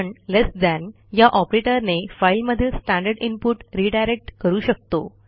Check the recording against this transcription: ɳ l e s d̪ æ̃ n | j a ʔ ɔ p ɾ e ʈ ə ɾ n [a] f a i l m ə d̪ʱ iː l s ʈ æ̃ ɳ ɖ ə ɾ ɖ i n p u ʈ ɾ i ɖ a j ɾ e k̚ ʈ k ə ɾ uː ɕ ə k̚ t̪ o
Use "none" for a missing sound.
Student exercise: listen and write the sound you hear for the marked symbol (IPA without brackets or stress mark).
e